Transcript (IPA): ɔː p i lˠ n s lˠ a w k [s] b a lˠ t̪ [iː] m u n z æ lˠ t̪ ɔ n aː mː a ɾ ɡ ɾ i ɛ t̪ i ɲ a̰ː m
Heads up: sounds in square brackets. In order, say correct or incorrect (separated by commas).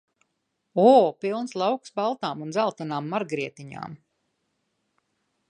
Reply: correct, incorrect